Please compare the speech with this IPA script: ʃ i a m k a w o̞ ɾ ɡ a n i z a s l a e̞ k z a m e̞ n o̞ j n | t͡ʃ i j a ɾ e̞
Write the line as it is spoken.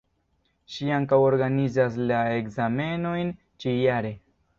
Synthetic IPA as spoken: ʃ i a ŋ k a w o̞ ɾ ɡ a n i z a s l a e̞ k z a m e̞ n o̞ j n | t͡ʃ i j a ɾ e̞